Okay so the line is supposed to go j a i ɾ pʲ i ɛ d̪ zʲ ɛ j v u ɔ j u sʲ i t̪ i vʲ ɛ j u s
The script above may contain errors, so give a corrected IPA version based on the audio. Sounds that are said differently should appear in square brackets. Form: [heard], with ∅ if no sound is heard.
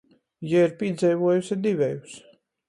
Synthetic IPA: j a i ɾ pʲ i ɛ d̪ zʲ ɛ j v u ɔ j u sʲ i [d̪] i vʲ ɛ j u s